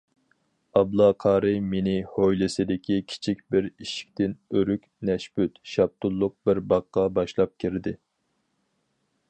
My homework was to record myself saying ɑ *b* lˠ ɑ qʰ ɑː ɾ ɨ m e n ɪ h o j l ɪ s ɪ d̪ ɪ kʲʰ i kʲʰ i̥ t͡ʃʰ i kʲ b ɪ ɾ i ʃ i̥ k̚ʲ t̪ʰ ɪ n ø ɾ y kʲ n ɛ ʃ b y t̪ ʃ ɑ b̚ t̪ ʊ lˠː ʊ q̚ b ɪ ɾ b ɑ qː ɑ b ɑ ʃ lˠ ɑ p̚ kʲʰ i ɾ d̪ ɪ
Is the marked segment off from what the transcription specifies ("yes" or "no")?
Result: no